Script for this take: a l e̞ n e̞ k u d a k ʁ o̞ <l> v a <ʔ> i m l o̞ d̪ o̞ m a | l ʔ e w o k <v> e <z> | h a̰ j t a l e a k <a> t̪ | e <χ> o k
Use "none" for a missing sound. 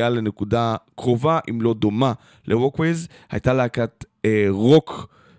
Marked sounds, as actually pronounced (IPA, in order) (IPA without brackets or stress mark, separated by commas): none, ʔ, w, z, a, ʁ